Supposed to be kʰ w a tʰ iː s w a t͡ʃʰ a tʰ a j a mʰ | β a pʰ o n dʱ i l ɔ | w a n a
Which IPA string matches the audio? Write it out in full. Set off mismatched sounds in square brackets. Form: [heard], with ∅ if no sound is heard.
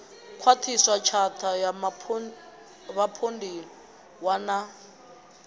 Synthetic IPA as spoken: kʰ w a tʰ [i] s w a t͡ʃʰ a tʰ a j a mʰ | β a pʰ o n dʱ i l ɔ | w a n a